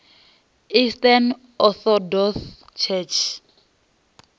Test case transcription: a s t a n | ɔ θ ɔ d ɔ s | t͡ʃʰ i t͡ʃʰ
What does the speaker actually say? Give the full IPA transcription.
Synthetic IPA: i s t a n | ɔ θ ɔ d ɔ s | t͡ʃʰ ɛ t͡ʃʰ